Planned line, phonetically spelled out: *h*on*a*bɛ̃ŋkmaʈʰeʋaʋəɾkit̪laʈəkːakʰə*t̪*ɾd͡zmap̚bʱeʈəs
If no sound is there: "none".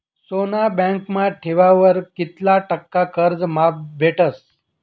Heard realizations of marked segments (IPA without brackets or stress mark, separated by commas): s, a, none